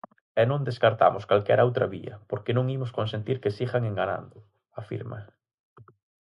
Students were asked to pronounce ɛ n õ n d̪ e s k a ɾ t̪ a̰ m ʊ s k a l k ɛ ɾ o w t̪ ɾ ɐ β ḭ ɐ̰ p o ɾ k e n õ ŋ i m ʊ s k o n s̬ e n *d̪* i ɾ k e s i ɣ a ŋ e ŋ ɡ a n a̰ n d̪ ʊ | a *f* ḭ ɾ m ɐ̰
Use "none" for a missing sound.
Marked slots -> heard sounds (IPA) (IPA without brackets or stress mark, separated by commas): t̪, f